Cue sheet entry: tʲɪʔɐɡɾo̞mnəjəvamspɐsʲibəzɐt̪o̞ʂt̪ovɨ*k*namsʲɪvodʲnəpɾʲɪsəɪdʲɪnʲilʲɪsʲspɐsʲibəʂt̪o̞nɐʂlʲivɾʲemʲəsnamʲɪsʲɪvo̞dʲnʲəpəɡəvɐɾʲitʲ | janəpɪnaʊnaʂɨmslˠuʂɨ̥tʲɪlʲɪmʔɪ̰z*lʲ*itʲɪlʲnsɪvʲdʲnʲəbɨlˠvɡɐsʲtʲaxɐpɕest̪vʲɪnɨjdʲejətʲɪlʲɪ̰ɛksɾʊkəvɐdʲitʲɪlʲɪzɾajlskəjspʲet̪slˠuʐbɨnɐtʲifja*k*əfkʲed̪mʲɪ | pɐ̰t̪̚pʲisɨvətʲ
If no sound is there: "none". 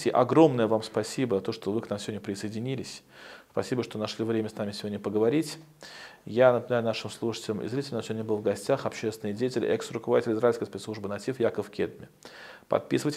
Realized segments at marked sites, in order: k, ɾʲ, k

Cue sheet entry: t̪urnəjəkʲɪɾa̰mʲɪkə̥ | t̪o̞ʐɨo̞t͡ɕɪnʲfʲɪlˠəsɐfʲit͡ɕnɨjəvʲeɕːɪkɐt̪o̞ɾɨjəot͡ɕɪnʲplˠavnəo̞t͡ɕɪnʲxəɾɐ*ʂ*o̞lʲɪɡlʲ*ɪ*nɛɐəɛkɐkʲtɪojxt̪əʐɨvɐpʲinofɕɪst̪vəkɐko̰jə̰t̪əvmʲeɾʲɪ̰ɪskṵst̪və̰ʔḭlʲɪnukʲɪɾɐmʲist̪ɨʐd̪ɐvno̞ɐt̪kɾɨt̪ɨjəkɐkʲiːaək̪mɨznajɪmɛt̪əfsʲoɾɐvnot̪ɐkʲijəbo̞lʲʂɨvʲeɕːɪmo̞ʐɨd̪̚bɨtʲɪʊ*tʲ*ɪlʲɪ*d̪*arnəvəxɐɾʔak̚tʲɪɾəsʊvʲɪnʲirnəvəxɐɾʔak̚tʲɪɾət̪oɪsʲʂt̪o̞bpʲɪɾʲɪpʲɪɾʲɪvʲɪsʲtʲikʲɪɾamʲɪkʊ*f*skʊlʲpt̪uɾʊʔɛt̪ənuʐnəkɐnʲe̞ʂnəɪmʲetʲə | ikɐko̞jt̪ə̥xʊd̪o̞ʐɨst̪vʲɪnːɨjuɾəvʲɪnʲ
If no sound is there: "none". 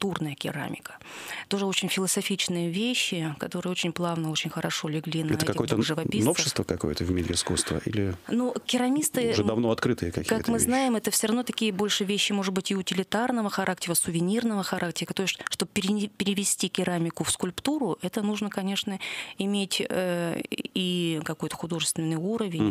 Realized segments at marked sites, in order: ʂ, i, tʲ, t̪, f

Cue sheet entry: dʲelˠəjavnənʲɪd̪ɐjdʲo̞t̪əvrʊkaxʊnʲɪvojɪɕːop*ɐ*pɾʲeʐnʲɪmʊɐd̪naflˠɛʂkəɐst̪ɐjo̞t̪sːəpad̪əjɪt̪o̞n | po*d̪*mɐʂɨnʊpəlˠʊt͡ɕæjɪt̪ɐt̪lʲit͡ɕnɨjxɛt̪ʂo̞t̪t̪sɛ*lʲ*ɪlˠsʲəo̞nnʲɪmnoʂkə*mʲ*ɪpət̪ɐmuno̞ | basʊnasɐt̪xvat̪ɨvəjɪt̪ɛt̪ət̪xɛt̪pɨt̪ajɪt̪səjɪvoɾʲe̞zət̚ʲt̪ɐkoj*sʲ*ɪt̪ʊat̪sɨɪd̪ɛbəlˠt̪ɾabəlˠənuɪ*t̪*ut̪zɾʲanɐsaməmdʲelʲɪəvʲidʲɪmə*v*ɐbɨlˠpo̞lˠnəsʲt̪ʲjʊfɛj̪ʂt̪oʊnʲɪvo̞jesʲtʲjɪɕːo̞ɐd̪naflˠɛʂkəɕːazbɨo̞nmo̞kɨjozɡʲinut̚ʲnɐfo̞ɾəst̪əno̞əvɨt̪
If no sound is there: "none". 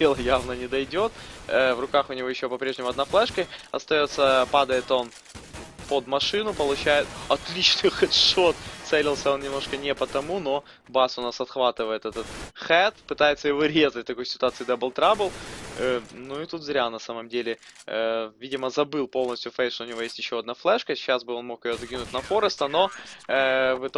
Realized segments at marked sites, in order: ɐ, d̪, lʲ, nʲ, sʲ, t̪, z

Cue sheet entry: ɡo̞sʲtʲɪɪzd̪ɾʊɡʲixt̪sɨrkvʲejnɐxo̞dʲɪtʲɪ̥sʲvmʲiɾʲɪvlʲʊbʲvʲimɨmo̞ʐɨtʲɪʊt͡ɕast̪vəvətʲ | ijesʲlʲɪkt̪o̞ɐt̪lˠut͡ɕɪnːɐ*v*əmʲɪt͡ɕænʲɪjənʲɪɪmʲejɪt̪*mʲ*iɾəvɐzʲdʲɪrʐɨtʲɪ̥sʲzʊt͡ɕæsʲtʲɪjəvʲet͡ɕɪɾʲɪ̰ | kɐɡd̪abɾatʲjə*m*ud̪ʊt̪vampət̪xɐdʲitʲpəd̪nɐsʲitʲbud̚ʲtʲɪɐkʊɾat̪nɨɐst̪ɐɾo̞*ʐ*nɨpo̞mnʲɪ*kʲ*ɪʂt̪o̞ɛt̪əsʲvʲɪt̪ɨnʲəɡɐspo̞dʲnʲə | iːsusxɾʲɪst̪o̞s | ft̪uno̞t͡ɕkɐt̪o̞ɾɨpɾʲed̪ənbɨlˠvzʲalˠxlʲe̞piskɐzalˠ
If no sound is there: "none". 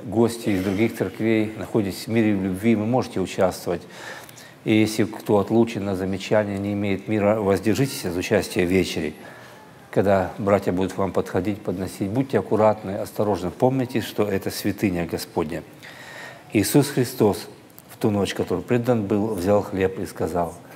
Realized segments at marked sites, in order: z, mʲ, b, ʐ, tʲ

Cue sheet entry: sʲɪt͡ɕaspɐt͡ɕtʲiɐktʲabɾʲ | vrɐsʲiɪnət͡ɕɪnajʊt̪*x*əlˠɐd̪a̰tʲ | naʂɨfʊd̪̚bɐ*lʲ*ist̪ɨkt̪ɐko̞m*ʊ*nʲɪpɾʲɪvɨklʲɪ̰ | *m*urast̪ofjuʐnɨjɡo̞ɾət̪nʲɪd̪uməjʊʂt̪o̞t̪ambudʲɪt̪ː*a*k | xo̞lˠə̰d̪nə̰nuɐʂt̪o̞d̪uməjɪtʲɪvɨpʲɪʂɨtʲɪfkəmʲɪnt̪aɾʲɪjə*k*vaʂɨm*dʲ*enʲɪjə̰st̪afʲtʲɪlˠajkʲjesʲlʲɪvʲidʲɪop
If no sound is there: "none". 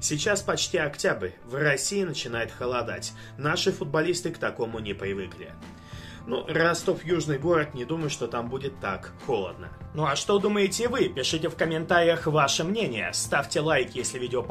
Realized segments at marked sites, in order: x, lʲ, ʊ, n, a, x, nʲ

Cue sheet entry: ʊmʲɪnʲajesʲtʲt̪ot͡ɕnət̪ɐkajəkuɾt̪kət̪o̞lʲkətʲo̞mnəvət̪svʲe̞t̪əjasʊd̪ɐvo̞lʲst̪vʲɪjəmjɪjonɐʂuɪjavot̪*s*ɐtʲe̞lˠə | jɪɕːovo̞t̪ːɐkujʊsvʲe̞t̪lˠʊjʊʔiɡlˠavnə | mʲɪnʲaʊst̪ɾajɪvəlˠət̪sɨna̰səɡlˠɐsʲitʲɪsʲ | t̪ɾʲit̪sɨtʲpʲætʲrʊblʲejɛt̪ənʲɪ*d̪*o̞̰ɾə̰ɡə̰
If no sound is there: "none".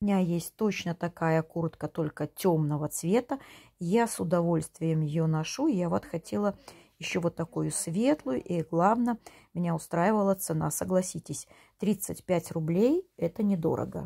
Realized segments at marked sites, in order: x, d̪

